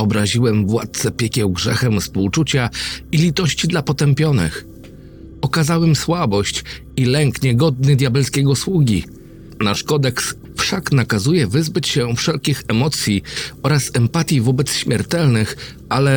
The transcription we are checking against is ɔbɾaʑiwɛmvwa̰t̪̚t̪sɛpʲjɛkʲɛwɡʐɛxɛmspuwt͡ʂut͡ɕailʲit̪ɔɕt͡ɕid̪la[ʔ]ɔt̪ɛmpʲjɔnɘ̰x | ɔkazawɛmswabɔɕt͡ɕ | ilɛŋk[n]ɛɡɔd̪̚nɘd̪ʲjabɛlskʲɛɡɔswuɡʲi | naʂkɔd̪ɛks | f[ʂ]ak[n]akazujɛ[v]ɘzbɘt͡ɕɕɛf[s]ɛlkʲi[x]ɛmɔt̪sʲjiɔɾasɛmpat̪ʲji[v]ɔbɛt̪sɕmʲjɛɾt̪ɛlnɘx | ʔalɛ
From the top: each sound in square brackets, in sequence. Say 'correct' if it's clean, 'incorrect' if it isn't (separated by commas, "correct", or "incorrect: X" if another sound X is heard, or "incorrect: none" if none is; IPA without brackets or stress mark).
incorrect: p, incorrect: ɲ, correct, correct, correct, incorrect: ʂ, correct, correct